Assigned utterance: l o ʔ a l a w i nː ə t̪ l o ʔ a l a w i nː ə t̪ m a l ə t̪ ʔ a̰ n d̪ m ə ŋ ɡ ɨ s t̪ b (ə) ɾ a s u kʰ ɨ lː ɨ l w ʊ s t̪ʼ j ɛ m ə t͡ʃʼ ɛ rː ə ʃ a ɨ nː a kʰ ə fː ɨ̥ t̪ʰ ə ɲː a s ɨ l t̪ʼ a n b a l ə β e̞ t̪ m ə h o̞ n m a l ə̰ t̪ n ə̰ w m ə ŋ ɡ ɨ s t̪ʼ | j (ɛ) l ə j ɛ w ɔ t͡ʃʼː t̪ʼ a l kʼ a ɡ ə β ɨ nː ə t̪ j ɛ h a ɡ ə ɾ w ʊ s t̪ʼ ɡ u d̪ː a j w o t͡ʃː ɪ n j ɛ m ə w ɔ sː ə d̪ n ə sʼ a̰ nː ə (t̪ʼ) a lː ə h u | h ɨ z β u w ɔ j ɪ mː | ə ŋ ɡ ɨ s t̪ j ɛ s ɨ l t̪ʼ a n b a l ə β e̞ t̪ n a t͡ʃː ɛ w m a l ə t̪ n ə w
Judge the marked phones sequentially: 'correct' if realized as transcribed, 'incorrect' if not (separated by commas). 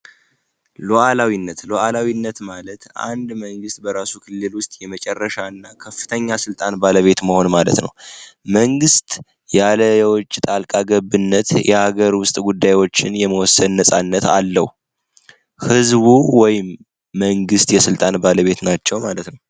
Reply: correct, incorrect, incorrect